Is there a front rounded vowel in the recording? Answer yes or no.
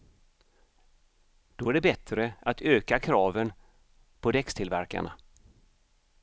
yes